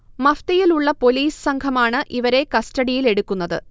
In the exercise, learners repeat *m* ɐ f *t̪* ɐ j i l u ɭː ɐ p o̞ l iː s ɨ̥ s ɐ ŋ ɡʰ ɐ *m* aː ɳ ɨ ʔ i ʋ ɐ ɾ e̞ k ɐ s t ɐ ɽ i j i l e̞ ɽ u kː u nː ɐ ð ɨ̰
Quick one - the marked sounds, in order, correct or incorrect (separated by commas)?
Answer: correct, correct, correct